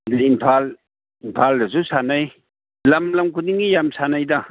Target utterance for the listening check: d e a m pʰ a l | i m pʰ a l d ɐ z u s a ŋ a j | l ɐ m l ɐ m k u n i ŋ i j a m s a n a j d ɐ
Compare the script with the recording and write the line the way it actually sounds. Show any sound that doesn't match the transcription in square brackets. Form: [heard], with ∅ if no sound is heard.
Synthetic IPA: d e [i] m pʰ a l | i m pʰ a l d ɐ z u s a [n] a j | l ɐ m l ɐ m k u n i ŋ i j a m s a n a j d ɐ